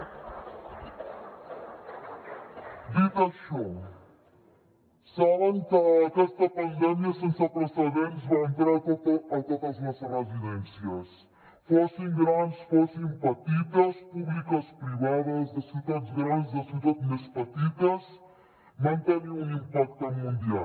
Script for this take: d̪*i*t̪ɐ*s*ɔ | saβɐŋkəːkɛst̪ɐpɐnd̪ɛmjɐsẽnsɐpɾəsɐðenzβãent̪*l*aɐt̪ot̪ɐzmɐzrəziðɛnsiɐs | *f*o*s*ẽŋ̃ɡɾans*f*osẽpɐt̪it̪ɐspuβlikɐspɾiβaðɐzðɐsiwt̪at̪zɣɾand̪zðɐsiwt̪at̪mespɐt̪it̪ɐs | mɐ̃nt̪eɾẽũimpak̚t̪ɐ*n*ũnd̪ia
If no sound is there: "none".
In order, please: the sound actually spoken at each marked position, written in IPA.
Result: i, ʃ, ɾ, f, s, f, m

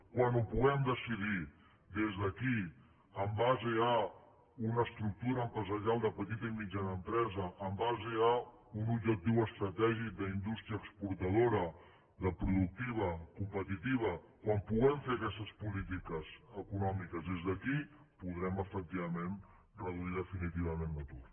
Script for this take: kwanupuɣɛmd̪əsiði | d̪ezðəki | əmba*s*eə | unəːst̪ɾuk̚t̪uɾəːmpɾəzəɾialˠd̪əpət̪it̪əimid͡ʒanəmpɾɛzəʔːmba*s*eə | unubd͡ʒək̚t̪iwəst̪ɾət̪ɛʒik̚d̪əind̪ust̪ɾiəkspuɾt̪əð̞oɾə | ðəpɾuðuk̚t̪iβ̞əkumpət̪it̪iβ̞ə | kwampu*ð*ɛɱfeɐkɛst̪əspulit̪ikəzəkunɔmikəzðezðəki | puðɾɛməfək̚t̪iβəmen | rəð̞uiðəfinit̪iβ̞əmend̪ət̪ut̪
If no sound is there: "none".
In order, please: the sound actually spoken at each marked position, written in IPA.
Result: z, z, ɣ

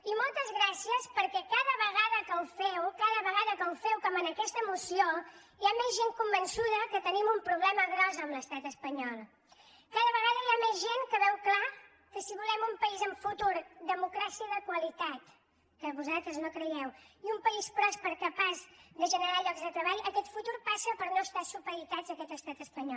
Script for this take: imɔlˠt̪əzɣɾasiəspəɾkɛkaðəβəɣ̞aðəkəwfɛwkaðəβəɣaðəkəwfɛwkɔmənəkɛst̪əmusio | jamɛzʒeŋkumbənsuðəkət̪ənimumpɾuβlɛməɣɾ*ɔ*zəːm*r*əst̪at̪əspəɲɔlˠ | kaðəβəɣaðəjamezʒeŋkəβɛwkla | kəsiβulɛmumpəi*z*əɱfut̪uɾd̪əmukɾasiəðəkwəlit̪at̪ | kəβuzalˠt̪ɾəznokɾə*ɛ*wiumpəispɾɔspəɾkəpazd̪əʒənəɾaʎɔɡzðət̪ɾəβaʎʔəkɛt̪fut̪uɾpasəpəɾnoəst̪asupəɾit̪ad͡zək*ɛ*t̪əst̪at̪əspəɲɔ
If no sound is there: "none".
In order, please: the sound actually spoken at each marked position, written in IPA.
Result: ɔ, l, z, ɛ, ɛ

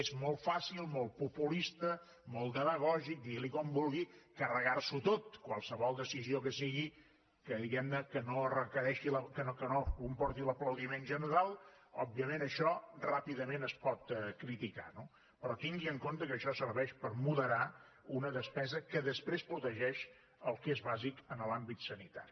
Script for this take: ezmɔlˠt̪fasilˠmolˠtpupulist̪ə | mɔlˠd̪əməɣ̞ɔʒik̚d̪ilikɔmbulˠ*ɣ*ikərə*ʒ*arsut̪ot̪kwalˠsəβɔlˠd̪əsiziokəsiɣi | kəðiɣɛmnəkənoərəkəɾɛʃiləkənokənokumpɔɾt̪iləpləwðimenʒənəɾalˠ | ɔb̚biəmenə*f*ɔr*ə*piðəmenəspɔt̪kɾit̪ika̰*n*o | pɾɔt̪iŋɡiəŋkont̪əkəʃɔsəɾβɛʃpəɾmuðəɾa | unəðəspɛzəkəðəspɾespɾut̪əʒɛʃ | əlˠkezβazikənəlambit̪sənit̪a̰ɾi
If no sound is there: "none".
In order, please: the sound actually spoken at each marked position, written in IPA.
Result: ɣ, ɣ, ʃ, a, n

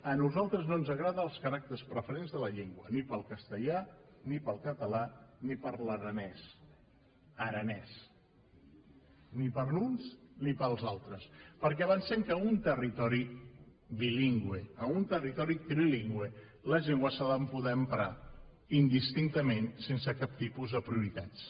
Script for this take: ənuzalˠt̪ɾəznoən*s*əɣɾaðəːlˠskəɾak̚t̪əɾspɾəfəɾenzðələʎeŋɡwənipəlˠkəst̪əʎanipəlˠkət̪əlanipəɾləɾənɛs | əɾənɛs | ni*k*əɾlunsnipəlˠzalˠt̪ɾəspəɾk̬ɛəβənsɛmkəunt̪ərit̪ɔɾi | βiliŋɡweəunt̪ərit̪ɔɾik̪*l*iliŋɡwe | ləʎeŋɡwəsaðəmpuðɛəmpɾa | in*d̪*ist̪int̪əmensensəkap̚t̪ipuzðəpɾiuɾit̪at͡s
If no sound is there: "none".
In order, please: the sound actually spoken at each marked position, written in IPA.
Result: z, p, ɾ, d̪

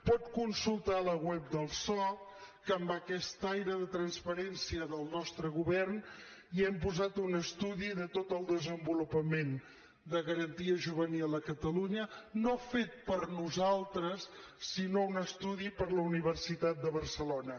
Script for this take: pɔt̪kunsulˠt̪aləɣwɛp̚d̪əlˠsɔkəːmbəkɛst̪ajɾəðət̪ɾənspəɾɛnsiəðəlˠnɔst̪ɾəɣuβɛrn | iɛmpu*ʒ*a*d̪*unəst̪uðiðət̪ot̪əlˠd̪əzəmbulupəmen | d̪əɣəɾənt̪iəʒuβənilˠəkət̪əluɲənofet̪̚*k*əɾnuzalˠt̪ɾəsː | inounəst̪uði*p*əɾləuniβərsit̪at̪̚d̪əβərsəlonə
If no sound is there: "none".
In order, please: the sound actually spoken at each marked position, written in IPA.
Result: z, t̪, p, p

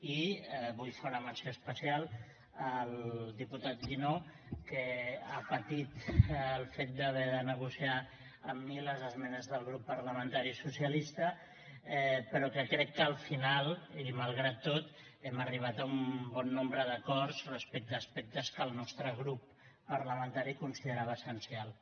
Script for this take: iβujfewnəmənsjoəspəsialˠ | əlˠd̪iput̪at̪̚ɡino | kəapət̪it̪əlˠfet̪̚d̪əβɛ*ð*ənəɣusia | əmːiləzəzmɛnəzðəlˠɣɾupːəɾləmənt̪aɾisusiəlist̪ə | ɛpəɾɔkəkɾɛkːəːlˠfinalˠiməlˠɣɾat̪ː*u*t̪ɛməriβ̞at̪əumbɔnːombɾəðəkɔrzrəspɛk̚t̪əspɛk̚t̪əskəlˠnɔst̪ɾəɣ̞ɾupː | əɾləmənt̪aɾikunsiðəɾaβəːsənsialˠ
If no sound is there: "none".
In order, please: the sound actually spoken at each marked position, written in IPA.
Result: ð, o

